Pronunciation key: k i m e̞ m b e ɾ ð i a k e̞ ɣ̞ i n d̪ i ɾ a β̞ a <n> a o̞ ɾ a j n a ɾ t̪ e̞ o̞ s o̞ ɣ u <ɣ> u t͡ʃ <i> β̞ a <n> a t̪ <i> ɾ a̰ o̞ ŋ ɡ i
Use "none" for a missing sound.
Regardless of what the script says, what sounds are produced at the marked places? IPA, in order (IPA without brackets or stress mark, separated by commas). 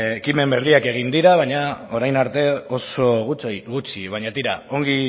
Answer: ɲ, ɣ, i, ɲ, i